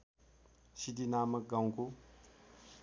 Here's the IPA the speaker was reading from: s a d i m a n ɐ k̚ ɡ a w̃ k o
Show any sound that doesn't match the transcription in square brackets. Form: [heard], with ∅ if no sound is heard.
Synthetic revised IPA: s [i] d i [n] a [m] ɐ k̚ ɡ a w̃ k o